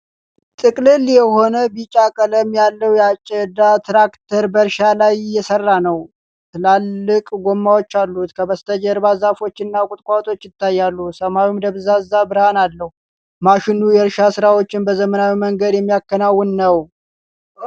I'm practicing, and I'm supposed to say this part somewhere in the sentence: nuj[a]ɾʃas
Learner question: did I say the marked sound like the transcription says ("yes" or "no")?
no